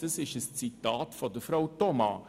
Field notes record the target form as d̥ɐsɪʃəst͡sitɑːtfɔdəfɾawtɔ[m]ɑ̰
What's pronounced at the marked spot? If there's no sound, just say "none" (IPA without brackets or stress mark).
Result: m